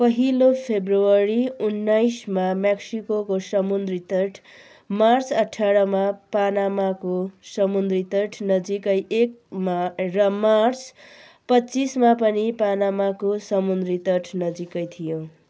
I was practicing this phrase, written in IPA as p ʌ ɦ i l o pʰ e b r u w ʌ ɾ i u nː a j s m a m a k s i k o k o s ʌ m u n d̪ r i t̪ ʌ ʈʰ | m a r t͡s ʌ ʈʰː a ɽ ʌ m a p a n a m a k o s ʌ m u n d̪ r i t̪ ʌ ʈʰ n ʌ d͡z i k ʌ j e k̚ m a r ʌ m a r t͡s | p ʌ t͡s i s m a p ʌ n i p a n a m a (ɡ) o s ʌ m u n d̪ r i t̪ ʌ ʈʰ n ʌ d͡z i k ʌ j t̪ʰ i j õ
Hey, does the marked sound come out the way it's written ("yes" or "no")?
no